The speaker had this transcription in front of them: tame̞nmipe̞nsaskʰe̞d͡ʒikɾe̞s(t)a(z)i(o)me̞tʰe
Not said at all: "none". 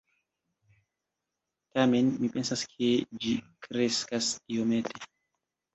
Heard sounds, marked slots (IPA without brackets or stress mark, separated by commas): k, s, o